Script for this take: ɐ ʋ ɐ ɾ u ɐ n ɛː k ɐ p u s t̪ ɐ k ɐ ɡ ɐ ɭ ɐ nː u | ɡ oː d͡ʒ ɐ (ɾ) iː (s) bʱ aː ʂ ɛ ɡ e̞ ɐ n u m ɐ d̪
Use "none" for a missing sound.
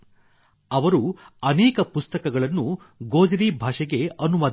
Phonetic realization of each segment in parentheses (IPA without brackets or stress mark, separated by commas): ɾ, none